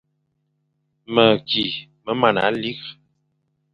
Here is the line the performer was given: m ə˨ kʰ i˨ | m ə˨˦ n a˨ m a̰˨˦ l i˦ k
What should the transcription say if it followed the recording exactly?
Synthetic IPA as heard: m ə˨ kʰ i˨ | m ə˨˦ m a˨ n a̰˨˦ l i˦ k

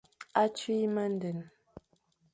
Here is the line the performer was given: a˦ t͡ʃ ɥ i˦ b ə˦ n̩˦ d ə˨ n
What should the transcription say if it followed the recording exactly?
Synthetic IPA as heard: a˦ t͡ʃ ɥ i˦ m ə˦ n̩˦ d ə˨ n

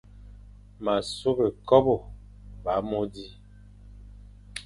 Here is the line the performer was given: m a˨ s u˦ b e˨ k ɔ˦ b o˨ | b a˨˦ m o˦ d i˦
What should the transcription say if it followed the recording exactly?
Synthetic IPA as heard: m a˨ s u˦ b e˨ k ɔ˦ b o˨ | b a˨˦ m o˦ d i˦

